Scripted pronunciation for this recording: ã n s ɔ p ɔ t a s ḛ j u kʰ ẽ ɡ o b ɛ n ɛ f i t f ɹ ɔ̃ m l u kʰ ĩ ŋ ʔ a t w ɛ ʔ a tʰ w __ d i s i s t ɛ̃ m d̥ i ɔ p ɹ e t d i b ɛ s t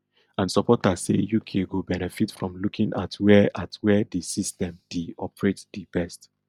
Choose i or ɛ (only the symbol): ɛ